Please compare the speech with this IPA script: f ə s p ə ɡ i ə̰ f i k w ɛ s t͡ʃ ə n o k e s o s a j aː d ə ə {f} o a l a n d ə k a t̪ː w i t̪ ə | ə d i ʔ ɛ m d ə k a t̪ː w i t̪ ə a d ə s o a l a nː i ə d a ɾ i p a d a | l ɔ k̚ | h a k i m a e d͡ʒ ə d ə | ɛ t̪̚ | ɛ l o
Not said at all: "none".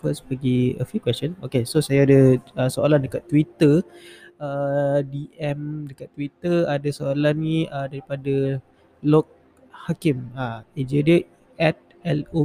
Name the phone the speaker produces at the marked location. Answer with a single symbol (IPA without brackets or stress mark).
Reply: s